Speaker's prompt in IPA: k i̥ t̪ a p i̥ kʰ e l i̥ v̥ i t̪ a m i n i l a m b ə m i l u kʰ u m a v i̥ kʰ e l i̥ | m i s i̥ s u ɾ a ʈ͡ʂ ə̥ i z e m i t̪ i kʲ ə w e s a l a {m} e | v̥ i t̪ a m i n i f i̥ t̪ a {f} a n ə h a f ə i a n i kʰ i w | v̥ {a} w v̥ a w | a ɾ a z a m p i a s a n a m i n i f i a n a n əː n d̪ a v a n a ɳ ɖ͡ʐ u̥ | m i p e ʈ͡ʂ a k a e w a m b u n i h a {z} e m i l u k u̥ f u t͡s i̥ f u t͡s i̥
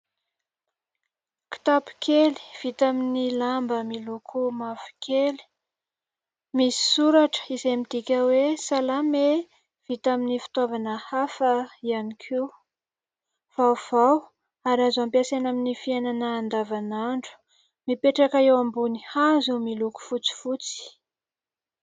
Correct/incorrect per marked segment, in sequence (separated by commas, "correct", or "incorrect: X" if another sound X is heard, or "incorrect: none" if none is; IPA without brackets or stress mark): correct, incorrect: v, correct, correct